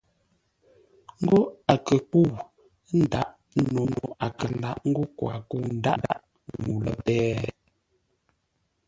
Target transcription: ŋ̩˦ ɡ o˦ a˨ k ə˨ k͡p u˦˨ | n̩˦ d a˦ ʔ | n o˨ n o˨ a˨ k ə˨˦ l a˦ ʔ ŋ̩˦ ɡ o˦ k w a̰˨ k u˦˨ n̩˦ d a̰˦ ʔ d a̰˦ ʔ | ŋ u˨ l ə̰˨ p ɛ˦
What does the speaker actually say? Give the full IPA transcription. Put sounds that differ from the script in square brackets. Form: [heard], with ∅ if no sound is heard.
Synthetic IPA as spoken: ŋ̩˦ ɡ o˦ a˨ k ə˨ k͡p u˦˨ | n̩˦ d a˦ ʔ | n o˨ n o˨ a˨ k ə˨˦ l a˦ ʔ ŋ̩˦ ɡ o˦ k w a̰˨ k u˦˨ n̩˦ d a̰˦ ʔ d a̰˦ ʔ | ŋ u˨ l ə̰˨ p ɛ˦